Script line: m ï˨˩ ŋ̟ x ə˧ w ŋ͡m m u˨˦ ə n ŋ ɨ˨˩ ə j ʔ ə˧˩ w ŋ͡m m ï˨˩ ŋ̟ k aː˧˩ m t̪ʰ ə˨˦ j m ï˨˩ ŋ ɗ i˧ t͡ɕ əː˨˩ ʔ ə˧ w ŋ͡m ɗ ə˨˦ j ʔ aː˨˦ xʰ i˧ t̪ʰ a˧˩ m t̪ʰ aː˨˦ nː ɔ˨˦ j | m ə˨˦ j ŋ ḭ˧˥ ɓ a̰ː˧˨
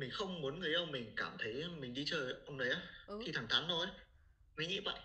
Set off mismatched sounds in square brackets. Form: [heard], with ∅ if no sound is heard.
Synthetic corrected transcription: m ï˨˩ ŋ̟ x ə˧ w ŋ͡m m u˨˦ ə n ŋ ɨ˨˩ ə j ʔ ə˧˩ w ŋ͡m m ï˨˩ ŋ̟ k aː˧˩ m t̪ʰ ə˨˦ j m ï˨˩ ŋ ɗ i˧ t͡ɕ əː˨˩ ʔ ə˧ w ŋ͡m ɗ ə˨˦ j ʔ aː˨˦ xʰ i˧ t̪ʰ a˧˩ [ŋ] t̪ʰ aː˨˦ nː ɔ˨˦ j | m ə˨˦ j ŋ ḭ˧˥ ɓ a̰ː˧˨